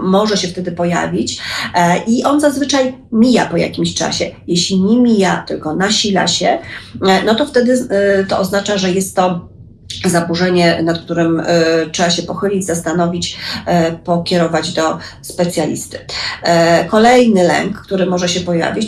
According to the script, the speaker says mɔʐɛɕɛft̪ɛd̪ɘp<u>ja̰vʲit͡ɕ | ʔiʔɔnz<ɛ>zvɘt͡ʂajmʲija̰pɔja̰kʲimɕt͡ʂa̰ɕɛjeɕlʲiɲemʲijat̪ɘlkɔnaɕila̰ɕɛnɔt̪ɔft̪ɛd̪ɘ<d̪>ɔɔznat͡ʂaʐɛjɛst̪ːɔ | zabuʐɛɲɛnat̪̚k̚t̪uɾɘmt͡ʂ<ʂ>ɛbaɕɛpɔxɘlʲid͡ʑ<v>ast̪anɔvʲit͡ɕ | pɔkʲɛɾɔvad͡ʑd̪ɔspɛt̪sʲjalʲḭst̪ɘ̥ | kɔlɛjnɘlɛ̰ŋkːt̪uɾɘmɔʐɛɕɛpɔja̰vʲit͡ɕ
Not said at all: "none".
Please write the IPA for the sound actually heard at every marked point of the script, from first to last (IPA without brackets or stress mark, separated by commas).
ɔ, a, t̪, ʂ, z